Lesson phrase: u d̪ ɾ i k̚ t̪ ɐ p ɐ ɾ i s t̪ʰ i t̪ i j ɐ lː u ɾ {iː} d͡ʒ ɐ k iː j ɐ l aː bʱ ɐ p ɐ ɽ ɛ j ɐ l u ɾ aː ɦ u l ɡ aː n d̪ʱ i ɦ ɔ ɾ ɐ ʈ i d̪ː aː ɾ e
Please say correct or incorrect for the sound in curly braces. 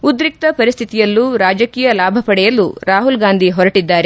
incorrect